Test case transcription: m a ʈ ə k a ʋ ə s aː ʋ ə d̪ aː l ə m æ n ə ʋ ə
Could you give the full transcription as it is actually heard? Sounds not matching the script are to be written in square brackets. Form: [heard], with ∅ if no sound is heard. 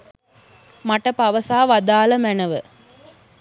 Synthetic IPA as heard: m a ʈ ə [p] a ʋ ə s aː ʋ [a] d̪ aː l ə m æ n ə ʋ ə